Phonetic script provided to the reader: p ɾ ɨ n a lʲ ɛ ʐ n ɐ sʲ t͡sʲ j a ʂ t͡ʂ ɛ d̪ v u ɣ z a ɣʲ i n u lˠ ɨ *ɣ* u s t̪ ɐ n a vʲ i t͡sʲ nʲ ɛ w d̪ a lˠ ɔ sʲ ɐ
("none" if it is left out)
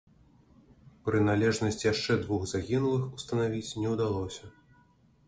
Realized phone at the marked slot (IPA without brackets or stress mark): x